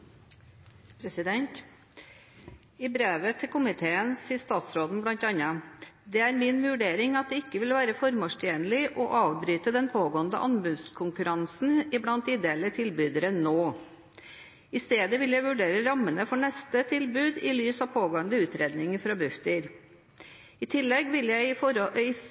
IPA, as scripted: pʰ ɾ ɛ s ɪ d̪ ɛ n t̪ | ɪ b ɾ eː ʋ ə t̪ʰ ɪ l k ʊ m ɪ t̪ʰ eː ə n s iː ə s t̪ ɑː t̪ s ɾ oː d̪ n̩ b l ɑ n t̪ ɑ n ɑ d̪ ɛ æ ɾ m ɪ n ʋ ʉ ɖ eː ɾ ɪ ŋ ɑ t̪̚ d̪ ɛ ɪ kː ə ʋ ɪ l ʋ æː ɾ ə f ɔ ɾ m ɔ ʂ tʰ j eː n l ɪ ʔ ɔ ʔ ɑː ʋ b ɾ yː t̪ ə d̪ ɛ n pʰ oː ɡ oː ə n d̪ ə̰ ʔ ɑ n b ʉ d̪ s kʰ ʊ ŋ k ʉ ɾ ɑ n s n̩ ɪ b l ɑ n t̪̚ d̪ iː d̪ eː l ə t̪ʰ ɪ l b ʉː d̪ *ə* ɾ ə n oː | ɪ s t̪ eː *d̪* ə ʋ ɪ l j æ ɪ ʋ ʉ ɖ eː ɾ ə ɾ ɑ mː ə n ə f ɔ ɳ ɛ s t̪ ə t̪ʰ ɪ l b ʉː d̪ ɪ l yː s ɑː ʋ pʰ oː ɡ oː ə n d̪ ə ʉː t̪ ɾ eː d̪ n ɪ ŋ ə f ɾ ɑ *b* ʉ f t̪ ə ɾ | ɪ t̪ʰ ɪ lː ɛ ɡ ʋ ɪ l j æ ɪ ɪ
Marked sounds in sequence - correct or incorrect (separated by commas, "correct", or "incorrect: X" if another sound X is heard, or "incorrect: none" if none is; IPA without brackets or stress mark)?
correct, correct, correct